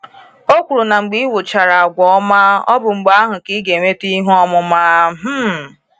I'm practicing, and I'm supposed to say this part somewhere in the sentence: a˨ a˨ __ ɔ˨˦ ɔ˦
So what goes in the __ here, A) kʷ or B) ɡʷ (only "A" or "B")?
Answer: B